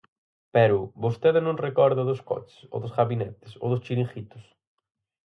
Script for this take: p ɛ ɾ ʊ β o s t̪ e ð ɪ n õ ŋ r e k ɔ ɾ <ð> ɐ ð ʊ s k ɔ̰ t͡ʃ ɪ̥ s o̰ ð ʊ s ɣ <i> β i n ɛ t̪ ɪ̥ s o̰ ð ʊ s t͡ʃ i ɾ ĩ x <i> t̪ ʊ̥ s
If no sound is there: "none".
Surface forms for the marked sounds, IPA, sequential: ð, a, i

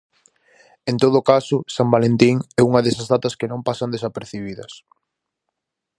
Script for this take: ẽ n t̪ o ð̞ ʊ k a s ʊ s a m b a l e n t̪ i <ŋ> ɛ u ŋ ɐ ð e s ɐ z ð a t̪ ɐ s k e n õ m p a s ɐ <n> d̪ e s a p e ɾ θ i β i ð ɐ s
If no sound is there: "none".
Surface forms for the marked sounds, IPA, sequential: ŋ, n

